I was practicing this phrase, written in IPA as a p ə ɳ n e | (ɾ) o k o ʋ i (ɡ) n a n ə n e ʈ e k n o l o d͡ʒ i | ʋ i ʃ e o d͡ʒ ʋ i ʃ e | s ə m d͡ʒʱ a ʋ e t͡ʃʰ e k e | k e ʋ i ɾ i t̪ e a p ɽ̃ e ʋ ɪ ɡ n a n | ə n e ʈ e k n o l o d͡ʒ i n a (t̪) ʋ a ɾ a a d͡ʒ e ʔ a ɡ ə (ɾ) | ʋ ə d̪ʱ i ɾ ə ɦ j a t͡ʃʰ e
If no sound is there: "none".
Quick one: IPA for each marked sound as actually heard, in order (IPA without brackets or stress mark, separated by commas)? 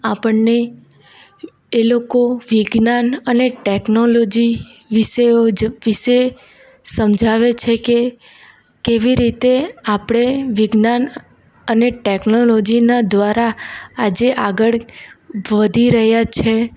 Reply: l, ɡ, d̪, ɭ